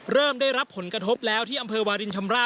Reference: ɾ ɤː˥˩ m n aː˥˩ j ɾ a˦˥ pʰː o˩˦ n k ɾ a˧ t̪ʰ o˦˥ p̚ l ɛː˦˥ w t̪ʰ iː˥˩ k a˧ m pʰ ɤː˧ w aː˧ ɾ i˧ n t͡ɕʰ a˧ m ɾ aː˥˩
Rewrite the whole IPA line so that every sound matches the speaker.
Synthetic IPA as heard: ɾ ɤː˥˩ m d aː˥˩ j ɾ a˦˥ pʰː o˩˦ n k ɾ a˧ t̪ʰ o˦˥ p̚ l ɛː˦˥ w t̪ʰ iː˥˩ ʔ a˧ m pʰ ɤː˧ w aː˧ ɾ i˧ n t͡ɕʰ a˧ m ɾ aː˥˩